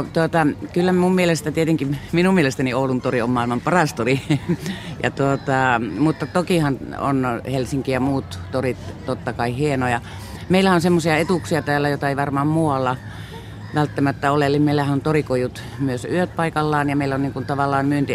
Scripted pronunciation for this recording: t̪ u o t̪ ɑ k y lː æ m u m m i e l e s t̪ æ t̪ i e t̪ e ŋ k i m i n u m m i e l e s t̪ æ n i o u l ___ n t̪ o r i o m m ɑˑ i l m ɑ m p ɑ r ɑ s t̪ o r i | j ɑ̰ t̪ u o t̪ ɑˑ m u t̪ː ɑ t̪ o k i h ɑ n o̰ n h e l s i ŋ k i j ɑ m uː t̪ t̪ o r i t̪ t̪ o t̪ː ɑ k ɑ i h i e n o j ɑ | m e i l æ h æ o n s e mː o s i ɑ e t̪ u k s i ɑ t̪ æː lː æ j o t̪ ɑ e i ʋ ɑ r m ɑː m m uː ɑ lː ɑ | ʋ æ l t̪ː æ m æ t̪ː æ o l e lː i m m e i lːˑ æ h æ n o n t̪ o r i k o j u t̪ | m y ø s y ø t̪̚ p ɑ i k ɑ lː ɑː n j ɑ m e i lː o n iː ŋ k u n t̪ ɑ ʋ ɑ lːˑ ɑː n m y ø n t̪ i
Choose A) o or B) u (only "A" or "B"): B